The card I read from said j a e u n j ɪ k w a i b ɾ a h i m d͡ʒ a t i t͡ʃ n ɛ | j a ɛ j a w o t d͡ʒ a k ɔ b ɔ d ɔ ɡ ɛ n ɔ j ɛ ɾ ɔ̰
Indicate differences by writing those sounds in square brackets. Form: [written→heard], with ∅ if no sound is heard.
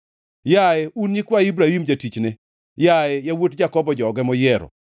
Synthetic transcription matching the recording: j a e u n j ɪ k w a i b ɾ a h i m d͡ʒ a t i t͡ʃ n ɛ | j a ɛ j a w o t d͡ʒ a k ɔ b ɔ [d→d͡ʒ] ɔ ɡ ɛ [n→m] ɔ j ɛ ɾ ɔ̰